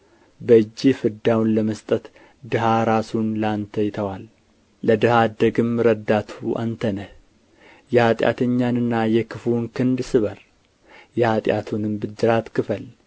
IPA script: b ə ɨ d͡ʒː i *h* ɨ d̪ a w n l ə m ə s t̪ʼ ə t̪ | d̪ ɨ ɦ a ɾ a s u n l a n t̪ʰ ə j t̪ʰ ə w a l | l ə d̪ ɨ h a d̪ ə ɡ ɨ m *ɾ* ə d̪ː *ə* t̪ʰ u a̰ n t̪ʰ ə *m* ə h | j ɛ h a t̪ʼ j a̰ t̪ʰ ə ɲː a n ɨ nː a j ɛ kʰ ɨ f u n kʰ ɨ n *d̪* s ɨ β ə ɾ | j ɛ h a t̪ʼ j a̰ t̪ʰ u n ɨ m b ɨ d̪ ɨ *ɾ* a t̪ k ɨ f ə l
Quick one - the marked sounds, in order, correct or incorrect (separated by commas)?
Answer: incorrect, correct, incorrect, incorrect, correct, correct